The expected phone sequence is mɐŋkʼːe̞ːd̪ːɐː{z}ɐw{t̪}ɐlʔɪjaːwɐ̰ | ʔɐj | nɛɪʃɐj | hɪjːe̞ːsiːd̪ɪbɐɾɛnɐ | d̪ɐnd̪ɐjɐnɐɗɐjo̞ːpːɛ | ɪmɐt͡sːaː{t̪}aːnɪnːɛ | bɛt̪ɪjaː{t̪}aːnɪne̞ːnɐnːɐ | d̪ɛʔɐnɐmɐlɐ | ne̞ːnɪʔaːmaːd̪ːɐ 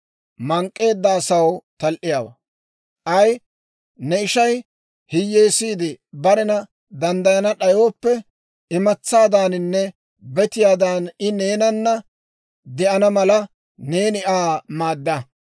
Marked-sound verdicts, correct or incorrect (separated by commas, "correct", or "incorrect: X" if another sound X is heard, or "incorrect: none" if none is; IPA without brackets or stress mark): incorrect: s, correct, incorrect: d̪, incorrect: d̪